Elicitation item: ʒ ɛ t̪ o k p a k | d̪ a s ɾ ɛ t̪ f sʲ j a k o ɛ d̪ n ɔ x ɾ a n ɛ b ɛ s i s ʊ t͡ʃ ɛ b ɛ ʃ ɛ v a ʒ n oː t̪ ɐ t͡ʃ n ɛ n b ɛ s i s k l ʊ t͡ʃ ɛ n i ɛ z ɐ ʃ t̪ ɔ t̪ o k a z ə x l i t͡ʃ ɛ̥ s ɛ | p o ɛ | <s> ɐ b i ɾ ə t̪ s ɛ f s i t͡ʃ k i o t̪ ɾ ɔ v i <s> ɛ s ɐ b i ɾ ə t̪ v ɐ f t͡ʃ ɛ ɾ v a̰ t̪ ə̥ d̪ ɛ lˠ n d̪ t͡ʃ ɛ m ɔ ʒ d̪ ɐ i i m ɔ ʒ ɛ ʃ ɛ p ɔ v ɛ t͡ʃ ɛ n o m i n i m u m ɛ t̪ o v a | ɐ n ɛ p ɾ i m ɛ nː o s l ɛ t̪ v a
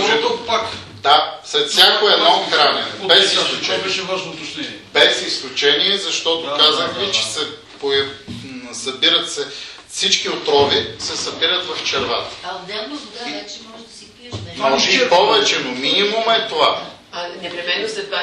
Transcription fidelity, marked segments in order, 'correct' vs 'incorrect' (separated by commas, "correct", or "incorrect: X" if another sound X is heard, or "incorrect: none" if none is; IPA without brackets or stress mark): correct, correct